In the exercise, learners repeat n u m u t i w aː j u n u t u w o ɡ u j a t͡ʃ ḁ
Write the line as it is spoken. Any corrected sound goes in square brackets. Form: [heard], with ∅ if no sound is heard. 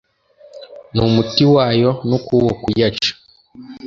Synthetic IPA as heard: n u m u t i w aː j [o] n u [k] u w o [k] u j a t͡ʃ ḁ